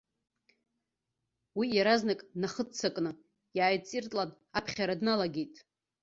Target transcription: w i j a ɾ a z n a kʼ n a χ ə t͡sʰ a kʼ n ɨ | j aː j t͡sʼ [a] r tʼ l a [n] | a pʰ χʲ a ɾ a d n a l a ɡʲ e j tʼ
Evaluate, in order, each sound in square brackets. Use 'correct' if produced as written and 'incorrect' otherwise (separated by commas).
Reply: incorrect, correct